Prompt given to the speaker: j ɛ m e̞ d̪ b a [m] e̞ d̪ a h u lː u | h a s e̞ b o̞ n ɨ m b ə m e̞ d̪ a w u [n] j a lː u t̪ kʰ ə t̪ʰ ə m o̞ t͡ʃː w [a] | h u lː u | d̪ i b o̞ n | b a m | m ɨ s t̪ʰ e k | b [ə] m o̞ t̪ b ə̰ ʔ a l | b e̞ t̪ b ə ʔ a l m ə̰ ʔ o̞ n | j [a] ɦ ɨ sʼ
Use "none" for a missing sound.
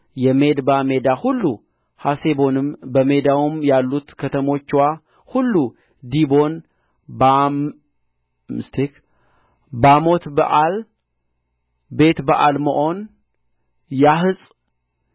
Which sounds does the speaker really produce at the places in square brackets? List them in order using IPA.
m, m, a, a, a

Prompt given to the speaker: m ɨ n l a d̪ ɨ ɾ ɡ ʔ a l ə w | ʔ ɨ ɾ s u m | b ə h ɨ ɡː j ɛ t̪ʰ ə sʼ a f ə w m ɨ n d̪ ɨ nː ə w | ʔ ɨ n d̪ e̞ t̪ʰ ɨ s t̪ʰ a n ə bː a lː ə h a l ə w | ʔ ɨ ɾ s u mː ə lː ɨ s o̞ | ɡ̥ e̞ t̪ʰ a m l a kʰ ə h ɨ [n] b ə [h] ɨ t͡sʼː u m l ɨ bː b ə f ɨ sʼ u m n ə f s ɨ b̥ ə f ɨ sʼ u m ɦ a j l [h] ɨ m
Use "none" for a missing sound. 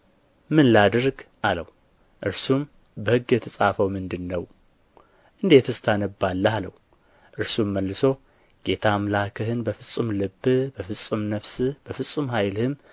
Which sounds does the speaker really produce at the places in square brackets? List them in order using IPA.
n, f, h

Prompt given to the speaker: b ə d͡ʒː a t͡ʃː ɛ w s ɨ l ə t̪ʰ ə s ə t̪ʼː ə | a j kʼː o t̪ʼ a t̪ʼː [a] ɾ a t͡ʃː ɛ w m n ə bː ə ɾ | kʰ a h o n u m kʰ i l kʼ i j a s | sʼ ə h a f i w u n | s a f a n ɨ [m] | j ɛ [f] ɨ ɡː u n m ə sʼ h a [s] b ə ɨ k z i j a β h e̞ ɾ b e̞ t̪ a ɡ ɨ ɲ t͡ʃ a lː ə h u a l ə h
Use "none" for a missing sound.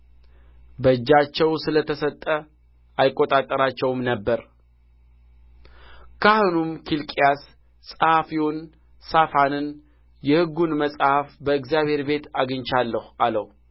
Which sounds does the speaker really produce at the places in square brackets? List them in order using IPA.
ə, n, h, f

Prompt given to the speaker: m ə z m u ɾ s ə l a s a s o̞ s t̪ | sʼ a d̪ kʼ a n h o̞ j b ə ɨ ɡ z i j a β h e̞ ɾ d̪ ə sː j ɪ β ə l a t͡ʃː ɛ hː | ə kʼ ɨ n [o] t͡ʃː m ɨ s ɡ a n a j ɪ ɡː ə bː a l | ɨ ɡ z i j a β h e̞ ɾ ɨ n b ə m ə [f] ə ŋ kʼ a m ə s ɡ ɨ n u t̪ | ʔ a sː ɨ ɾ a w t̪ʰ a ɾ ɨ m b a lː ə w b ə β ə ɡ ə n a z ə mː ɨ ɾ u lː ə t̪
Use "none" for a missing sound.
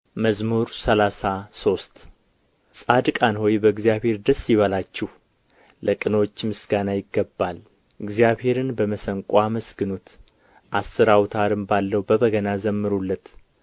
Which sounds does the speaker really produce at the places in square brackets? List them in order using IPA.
o, s

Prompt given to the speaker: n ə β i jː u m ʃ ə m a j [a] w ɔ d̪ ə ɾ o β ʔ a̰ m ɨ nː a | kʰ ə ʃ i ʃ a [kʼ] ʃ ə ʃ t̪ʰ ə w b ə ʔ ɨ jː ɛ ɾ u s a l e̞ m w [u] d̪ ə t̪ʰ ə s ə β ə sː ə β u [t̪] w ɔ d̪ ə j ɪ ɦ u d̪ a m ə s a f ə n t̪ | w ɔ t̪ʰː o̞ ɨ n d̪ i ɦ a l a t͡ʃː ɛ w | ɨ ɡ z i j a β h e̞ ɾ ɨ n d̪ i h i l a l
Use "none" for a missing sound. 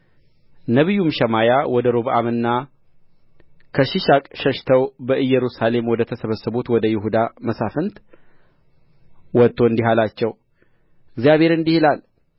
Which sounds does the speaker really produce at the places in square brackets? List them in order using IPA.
a, kʼ, ɔ, t̪

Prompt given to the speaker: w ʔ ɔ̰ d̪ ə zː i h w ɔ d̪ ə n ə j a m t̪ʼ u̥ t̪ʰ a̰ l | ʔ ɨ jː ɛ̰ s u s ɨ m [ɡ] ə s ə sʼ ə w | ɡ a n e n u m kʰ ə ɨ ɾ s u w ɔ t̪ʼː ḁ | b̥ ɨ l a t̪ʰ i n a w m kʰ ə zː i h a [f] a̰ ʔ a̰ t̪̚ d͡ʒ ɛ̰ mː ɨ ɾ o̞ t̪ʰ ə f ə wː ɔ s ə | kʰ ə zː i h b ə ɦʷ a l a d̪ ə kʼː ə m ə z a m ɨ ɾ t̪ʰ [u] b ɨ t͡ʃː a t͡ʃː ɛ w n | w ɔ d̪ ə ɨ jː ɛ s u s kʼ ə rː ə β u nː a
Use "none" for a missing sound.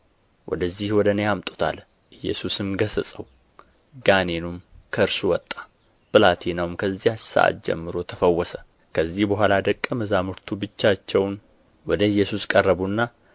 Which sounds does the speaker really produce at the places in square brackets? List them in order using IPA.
ɡ, s, u

